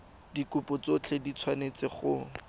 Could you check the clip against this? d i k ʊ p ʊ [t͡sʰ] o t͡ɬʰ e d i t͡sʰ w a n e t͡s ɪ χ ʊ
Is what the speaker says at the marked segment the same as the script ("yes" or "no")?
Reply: no